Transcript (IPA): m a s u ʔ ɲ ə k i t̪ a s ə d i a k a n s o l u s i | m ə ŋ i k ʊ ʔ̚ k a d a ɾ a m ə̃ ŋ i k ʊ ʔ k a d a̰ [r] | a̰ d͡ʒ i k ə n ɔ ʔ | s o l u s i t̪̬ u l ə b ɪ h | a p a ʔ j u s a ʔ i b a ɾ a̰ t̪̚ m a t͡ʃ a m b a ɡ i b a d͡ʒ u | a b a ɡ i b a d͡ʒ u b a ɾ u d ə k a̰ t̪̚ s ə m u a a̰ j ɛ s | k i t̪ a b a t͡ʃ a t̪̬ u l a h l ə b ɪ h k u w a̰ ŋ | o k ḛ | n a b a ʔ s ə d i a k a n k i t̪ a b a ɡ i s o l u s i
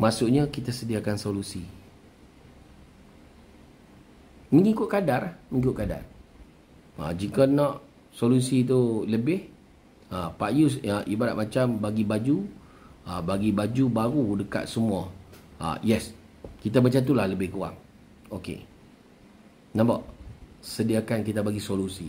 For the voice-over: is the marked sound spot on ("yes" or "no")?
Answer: yes